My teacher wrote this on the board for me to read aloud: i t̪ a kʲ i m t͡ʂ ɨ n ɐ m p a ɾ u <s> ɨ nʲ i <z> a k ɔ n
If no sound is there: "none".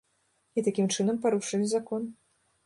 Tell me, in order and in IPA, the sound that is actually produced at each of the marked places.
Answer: ʂ, z

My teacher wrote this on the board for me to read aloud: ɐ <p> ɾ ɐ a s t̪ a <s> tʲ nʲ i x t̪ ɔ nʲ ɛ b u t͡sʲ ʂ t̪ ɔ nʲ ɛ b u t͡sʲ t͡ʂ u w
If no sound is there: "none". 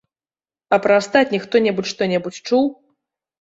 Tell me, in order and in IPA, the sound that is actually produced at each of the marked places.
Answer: p, none

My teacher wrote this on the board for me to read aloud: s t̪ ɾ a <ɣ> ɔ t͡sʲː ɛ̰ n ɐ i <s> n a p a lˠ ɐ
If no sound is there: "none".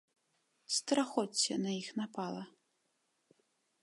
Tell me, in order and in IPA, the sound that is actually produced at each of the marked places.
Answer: x, x

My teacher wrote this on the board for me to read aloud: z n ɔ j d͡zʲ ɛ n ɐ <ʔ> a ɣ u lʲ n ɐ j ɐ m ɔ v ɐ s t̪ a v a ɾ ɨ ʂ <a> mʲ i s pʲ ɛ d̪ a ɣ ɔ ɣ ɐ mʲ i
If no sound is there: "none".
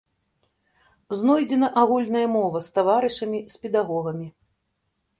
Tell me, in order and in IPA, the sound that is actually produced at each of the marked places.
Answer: ʔ, ɐ

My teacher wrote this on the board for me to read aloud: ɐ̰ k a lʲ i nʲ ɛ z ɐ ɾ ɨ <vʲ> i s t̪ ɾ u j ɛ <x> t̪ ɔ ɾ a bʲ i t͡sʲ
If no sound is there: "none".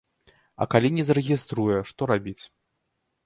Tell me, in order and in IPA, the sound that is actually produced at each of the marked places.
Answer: ɣʲ, ʂ

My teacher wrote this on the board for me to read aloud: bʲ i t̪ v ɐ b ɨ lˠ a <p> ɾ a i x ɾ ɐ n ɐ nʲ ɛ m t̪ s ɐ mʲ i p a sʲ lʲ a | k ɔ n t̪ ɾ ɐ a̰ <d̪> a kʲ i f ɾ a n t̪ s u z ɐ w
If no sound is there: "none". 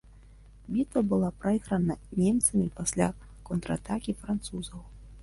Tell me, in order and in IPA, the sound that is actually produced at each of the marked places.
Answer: p, t̪

